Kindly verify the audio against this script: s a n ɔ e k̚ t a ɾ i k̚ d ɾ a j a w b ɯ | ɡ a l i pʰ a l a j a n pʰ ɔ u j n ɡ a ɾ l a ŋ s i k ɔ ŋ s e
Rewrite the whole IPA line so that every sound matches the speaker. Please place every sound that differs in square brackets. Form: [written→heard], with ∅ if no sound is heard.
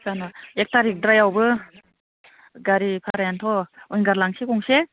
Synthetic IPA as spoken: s a n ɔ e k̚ t a ɾ i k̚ d ɾ a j a w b ɯ | ɡ a [l→ɾ] i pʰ a [l→ɾ] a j a n [pʰ→tʰ] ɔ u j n ɡ a ɾ l a ŋ s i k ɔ ŋ s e